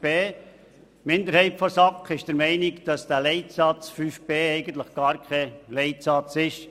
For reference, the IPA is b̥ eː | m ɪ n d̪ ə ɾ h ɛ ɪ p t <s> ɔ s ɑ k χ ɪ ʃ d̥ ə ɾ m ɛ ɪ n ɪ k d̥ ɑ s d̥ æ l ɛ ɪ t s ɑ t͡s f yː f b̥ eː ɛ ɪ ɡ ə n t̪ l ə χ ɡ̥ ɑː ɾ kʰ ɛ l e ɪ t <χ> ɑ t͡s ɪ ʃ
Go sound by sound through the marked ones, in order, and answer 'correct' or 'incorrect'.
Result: incorrect: f, incorrect: s

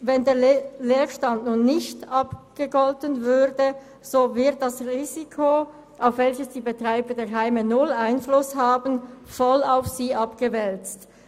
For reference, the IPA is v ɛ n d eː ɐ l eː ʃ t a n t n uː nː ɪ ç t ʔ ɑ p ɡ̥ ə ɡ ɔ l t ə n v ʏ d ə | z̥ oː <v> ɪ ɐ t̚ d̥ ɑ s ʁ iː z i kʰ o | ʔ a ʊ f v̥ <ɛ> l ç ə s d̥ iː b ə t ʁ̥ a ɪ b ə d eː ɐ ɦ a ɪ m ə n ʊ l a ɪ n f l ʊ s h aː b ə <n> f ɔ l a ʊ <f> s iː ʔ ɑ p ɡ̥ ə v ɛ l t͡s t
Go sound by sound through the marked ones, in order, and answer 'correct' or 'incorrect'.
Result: correct, correct, correct, correct

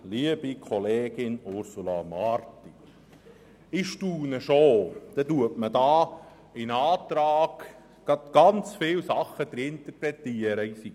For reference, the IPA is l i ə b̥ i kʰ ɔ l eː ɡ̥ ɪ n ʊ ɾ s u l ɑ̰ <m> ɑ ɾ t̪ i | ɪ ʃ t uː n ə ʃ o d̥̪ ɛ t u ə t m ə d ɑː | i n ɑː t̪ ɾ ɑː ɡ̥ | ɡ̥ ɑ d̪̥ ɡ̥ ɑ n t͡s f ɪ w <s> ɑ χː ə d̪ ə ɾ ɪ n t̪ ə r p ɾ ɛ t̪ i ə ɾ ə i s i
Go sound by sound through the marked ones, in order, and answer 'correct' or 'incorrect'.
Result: correct, correct

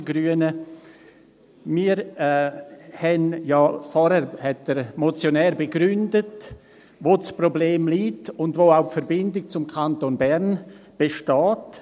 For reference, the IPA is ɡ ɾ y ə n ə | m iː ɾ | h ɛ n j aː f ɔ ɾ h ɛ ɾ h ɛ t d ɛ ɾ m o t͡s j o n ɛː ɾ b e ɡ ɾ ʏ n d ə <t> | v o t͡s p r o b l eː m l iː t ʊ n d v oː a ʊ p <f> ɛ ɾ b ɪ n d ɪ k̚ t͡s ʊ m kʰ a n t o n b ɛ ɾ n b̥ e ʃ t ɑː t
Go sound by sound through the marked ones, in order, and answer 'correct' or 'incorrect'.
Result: correct, correct

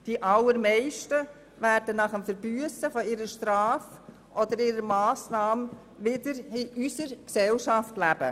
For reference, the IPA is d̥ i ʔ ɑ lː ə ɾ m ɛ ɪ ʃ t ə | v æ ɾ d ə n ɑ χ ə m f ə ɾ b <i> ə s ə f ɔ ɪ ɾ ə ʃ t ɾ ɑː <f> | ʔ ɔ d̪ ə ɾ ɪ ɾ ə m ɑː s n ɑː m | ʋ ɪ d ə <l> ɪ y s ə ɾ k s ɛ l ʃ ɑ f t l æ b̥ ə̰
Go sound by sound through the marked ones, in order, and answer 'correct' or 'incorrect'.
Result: incorrect: y, correct, incorrect: ɾ

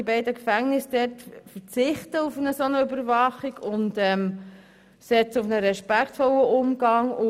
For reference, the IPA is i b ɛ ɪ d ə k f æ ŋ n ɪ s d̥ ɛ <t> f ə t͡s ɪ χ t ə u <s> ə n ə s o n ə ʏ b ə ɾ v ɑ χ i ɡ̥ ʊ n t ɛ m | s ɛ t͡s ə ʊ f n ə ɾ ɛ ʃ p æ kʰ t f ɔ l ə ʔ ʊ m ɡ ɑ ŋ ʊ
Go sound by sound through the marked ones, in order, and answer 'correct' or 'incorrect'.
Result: correct, incorrect: f

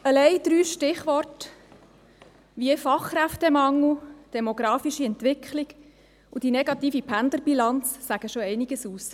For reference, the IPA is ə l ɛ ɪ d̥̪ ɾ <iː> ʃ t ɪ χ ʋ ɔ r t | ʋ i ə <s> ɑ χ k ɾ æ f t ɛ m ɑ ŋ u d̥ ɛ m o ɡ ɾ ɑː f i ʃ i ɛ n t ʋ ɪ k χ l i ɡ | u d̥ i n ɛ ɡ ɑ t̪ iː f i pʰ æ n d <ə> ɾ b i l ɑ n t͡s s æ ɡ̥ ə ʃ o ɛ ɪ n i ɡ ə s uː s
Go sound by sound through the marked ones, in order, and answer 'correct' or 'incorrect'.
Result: incorrect: yː, incorrect: f, correct

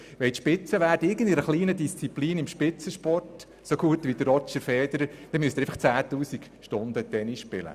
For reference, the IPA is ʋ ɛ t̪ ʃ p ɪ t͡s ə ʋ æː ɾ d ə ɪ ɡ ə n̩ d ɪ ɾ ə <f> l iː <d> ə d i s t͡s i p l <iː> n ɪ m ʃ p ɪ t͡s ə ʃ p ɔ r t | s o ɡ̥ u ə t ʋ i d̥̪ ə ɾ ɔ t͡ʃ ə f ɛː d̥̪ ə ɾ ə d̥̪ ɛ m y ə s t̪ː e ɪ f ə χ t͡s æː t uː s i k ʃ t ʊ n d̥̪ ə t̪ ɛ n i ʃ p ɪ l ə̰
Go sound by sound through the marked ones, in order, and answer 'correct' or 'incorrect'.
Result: incorrect: χ, incorrect: n, correct

